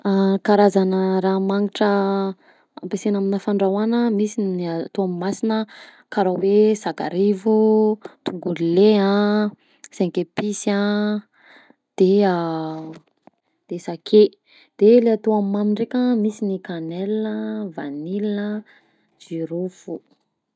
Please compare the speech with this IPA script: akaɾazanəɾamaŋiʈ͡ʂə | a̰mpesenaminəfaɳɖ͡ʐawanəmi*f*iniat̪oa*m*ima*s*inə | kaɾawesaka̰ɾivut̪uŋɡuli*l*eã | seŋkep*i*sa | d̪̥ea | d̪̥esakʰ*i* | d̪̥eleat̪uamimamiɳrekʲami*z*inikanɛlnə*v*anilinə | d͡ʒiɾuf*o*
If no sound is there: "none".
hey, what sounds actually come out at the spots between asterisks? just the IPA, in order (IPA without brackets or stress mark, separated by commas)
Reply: s, m, s, l, i, e, s, v, u